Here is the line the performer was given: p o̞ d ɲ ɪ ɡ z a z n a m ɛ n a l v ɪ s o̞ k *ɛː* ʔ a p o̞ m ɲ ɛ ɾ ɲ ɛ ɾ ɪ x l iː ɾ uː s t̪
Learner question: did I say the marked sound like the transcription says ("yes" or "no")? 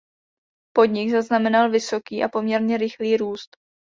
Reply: no